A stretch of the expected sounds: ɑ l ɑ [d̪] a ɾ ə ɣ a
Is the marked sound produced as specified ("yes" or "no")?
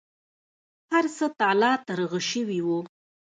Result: no